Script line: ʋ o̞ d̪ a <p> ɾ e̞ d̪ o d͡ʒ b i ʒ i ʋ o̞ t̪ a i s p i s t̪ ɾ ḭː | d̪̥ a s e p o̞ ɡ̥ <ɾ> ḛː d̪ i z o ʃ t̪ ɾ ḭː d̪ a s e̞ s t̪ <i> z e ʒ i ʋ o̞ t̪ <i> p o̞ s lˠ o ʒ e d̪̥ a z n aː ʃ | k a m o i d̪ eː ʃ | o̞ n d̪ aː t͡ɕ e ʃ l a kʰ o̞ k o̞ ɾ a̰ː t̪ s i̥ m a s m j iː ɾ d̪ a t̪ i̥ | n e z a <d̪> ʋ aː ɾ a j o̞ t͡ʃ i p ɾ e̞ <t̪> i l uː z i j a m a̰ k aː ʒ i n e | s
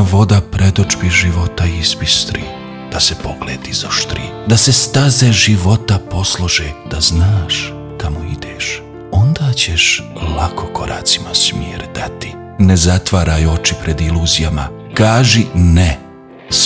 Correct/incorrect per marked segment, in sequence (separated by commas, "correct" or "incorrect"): correct, incorrect, incorrect, incorrect, incorrect, incorrect